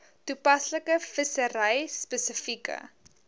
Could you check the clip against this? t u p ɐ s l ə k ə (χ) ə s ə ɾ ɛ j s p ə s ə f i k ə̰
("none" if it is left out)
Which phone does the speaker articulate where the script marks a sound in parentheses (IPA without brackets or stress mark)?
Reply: f